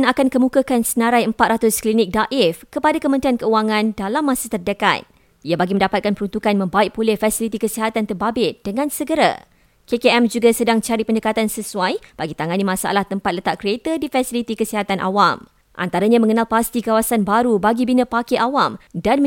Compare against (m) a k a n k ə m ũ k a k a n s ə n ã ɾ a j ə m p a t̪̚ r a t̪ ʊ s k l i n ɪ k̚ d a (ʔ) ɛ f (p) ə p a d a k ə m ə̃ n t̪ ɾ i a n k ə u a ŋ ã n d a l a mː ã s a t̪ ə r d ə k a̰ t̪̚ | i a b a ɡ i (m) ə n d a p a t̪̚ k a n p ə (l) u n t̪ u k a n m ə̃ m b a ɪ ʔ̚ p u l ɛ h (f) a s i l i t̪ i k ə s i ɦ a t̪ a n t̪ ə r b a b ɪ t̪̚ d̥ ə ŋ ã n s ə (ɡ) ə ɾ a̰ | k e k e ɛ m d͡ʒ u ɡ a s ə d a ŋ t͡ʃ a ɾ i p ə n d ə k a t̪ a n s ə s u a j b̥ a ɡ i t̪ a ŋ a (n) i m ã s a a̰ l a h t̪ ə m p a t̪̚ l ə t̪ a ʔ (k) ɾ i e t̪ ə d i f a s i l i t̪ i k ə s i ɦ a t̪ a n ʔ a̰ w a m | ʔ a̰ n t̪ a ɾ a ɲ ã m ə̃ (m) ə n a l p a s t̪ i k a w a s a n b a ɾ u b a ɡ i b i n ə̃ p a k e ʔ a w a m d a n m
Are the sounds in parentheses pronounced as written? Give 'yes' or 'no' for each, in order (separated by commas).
no, yes, no, yes, no, yes, yes, yes, yes, no